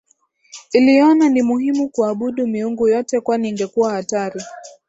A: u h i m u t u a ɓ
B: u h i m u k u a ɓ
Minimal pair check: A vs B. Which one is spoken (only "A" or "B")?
B